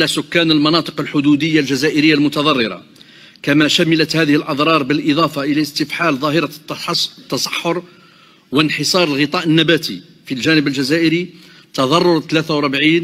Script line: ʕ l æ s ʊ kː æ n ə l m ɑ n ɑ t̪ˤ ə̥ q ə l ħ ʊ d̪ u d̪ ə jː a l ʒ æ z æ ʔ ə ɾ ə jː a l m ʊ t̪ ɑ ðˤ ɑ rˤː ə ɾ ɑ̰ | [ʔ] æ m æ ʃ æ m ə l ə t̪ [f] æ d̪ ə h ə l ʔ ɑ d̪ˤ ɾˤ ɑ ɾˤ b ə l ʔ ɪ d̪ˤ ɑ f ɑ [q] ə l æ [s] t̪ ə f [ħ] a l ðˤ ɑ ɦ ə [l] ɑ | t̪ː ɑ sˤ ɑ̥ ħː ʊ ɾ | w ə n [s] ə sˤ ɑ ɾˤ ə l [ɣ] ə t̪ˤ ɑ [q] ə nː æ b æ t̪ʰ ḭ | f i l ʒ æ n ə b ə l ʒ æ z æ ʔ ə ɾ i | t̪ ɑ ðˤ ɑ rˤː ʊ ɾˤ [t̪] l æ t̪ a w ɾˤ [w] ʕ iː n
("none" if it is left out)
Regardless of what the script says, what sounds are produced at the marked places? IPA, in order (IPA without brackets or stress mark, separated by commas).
k, h, ʔ, s, ħ, ɾ, ħ, ɣ, ʔ, t̪, b